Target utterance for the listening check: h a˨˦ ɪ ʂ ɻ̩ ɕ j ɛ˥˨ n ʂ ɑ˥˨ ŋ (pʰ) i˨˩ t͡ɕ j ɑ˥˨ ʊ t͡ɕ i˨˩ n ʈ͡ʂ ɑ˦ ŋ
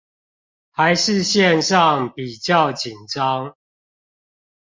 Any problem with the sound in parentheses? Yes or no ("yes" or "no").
yes